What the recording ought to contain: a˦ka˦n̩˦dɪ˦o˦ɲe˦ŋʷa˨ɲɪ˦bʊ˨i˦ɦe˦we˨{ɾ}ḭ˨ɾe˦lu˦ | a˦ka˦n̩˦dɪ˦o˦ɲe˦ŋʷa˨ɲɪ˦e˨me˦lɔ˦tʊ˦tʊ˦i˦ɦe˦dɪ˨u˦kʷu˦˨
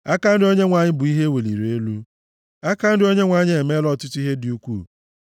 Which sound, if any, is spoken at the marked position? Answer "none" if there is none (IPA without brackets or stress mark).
l